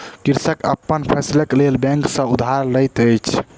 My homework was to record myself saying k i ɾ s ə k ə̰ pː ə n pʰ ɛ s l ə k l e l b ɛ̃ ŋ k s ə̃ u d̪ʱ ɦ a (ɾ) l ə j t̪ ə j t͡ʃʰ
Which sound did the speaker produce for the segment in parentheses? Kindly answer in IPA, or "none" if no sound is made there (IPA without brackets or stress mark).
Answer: ɾ